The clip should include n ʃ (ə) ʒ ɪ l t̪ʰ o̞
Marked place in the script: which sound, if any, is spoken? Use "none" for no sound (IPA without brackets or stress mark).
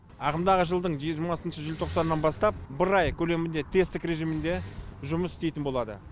ə